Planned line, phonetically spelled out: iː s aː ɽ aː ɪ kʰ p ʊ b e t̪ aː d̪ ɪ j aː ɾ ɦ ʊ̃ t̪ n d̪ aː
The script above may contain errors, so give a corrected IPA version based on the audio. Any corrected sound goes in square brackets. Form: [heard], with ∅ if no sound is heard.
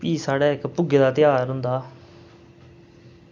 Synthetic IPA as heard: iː s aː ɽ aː ɪ [k] p ʊ [ɡ] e [d̪] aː [t̪] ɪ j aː ɾ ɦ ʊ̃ [∅] n d̪ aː